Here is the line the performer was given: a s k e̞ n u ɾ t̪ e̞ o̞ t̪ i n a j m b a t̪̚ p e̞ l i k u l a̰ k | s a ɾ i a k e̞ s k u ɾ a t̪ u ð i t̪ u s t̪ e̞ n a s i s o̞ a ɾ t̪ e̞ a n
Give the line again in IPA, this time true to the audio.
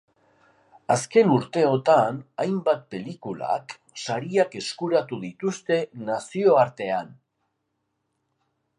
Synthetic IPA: a s k e̞ n u ɾ t̪ e̞ o̞ t̪ a n a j m b a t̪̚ p e̞ l i k u l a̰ k | s a ɾ i a k e̞ s k u ɾ a t̪ u ð i t̪ u s t̪ e̞ n a s i o̞ a ɾ t̪ e̞ a n